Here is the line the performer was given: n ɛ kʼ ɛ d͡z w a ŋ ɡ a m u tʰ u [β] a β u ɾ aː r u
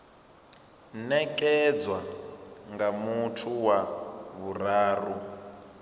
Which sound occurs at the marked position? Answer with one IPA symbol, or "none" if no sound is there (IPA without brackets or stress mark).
w